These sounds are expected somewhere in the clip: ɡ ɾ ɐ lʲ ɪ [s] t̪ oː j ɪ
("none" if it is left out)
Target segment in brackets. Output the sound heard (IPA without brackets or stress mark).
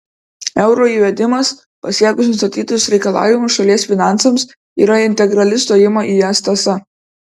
s